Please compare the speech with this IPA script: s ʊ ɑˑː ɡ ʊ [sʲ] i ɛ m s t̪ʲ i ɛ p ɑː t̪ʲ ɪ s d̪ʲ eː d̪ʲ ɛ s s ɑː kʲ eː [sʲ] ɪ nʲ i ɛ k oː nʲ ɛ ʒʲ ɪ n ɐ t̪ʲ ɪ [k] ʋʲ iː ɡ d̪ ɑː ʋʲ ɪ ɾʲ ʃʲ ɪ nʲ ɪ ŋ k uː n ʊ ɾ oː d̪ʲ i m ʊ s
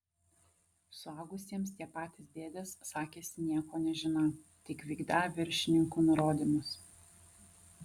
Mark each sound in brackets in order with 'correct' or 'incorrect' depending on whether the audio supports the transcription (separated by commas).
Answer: correct, correct, correct